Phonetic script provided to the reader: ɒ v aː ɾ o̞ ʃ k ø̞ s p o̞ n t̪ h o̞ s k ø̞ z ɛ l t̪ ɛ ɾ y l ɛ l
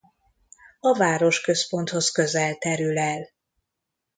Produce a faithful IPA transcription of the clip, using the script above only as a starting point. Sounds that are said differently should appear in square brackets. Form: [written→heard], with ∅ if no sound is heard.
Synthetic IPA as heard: ɒ v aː ɾ o̞ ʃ k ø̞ s p o̞ n t̪ h o̞ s k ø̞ z ɛ l t̪ ɛ ɾ y l ɛ l